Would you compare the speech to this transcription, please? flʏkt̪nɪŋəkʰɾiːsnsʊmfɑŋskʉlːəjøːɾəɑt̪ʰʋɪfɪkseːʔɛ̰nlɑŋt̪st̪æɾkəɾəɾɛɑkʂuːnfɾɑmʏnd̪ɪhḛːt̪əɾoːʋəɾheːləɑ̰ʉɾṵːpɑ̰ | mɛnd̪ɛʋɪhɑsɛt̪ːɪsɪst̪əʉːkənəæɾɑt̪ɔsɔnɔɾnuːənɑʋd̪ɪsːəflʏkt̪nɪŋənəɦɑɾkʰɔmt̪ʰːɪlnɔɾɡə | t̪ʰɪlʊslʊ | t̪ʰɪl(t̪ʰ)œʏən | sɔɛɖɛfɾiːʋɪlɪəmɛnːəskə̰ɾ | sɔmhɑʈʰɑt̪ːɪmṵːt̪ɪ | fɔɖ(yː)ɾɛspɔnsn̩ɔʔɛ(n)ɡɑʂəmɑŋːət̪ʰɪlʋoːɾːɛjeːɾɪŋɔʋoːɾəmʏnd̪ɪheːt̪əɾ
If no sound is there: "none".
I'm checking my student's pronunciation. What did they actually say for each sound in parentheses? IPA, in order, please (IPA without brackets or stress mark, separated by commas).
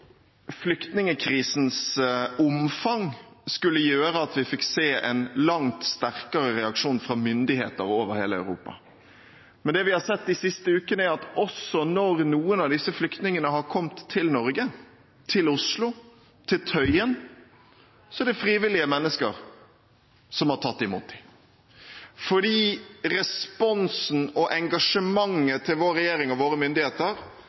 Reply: t̪ʰ, iː, ŋ